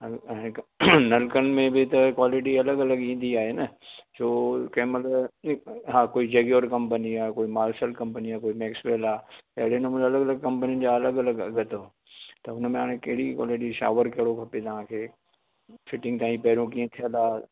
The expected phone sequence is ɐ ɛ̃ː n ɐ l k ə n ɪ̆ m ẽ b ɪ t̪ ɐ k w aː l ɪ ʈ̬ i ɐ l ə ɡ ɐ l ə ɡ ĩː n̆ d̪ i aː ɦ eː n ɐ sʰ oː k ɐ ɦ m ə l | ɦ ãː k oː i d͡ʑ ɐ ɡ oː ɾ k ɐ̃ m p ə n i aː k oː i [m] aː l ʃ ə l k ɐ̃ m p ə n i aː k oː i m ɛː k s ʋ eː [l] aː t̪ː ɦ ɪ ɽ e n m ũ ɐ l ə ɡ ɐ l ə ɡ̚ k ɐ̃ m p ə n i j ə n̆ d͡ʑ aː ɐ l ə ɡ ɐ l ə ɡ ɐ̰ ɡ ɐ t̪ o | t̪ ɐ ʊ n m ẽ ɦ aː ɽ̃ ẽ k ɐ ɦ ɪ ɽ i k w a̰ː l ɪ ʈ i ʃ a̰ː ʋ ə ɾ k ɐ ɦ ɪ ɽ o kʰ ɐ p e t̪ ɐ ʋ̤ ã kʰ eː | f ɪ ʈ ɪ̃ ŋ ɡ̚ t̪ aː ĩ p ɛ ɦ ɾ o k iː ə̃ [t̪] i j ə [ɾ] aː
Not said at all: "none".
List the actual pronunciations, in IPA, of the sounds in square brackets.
m, l, t̪ʰ, l

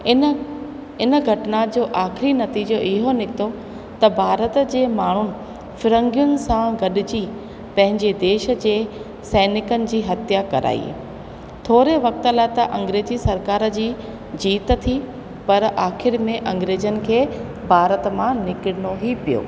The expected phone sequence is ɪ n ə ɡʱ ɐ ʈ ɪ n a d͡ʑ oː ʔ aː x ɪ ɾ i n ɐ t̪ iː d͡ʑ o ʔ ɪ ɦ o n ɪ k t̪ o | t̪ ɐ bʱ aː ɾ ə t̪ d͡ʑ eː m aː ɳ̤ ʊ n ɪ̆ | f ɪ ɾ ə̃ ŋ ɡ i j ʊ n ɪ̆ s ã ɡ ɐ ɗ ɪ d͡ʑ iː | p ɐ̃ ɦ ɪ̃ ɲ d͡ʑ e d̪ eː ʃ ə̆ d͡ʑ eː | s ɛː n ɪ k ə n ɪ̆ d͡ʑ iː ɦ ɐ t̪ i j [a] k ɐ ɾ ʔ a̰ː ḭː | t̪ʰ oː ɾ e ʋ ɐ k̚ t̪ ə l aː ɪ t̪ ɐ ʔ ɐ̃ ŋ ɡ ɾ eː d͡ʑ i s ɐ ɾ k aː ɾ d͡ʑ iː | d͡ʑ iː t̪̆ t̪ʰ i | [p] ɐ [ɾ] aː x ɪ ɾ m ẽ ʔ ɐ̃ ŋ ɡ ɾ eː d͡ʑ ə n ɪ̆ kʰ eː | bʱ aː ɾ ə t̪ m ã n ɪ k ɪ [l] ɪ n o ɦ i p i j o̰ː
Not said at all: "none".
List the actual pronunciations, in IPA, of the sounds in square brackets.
a, p, ɾ, ɽ

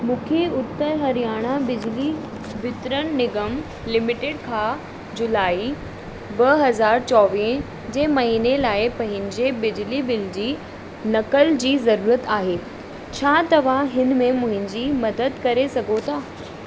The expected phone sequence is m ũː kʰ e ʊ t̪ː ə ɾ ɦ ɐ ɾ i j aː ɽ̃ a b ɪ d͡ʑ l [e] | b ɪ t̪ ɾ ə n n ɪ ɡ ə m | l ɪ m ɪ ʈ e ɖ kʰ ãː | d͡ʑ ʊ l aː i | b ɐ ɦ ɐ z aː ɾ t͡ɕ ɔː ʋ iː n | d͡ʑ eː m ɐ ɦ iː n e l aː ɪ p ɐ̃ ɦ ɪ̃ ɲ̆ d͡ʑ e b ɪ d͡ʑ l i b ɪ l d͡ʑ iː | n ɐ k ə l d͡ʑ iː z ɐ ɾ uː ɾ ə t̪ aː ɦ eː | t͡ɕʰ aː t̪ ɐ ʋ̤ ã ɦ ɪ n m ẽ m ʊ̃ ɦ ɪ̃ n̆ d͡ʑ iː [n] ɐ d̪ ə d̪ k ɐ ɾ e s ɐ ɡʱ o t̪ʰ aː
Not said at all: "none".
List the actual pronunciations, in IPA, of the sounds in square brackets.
i, m

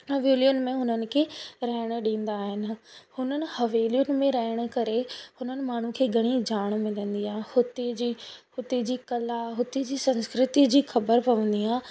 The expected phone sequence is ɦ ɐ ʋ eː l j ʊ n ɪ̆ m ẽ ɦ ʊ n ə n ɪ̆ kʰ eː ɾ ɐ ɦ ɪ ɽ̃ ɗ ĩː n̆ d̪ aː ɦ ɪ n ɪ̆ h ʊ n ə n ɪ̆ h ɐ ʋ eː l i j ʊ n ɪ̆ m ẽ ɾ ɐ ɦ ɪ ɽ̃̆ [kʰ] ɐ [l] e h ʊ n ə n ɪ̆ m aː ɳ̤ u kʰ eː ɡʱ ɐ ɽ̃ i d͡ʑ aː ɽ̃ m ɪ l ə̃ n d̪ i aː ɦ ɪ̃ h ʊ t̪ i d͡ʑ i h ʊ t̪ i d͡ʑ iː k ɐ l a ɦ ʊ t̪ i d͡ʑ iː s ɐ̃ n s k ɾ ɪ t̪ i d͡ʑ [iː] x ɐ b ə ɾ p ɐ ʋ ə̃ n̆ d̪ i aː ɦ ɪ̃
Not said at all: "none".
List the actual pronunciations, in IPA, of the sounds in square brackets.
k, ɾ, iː

